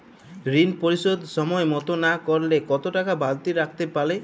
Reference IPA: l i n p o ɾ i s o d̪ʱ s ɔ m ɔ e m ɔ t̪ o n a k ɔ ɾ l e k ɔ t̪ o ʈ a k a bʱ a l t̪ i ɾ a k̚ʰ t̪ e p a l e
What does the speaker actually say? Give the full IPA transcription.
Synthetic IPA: ɾ i n p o ɾ i s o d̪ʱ s ɔ m ɔ e m ɔ t̪ o n a k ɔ ɾ l e k ɔ t̪ o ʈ a k a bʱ a l t̪ i ɾ a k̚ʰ t̪ e p a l e